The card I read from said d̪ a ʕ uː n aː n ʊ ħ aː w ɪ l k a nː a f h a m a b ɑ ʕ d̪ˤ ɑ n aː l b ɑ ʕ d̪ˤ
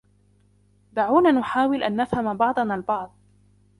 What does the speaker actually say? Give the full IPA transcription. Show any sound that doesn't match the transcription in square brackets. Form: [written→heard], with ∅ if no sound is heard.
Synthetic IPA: d̪ a ʕ uː n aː n ʊ ħ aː w ɪ l [k→ʔ] a nː a f h a m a b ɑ ʕ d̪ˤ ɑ n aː l b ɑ ʕ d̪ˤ